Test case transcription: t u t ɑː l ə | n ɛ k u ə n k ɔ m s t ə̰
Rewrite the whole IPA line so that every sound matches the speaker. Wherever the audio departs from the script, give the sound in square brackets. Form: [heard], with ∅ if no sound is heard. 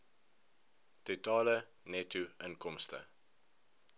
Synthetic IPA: t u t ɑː l ə | n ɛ [t] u ə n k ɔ m s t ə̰